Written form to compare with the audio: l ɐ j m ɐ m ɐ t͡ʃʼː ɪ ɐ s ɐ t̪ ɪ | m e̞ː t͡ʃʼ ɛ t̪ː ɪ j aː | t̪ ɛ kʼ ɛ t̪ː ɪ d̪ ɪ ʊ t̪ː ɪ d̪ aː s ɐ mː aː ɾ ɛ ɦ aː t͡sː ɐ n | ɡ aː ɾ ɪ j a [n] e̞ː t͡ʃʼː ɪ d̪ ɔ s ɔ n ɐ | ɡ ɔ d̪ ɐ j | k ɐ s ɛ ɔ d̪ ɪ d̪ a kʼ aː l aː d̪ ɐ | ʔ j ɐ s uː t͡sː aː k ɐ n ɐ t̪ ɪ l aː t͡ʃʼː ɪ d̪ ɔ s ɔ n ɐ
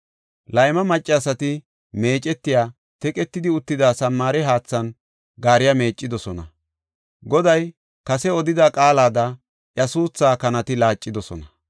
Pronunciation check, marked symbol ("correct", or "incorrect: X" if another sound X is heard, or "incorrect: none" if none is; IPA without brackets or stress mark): incorrect: m